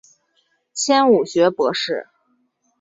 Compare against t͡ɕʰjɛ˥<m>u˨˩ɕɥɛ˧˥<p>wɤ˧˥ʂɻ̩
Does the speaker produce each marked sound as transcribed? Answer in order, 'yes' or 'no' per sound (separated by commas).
no, yes